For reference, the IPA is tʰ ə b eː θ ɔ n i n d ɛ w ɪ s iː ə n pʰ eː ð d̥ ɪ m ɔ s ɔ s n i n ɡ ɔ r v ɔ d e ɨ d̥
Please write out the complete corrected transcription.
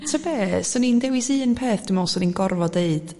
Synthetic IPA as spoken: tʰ ə b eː s ɔ n i n d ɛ w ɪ s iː ə n pʰ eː θ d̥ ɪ m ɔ s ɔ n i n ɡ ɔ r v ɔ d e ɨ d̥